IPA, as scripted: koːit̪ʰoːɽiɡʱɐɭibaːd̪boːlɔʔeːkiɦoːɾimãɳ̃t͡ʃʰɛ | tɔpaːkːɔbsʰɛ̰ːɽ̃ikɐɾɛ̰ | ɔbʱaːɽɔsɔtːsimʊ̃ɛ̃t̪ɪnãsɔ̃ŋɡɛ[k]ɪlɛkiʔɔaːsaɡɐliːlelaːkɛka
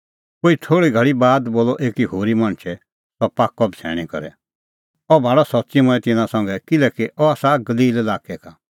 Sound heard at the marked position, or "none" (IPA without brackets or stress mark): k